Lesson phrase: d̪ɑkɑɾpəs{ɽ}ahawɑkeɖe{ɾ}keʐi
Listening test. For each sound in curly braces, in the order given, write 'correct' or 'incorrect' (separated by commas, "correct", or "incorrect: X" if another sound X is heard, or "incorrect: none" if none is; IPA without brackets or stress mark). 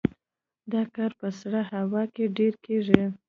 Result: correct, correct